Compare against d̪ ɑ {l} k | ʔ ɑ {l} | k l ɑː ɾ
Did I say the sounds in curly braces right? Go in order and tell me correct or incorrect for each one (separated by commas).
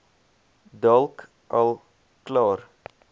correct, correct